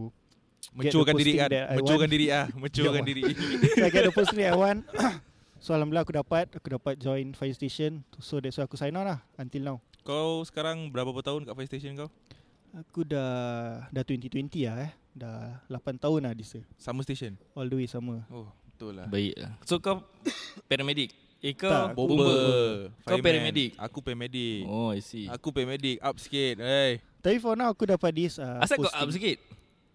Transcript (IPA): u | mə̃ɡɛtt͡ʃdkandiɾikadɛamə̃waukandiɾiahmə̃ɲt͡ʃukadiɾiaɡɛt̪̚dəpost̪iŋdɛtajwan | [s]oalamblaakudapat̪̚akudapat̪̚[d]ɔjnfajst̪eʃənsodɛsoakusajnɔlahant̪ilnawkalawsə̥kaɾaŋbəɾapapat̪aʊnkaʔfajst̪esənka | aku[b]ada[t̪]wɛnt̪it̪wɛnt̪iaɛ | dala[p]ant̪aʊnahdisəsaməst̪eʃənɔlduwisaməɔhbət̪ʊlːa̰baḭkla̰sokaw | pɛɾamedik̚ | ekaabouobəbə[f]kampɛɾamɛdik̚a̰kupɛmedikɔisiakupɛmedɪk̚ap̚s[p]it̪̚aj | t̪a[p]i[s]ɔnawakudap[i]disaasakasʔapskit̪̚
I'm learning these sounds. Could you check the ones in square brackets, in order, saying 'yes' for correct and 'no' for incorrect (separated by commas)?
yes, no, no, yes, yes, yes, no, yes, no, no